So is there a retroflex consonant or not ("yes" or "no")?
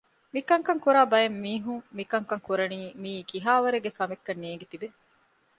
no